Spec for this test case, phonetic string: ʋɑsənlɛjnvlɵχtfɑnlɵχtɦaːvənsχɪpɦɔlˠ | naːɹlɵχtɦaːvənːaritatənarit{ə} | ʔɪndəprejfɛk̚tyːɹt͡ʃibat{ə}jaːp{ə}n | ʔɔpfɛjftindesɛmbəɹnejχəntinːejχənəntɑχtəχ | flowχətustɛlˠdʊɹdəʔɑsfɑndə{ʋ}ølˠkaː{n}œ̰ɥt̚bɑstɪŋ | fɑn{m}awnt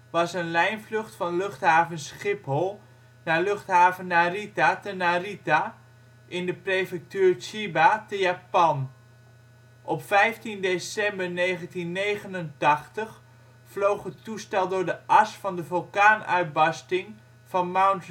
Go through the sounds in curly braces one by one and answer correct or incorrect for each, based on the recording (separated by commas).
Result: incorrect, correct, incorrect, incorrect, correct, correct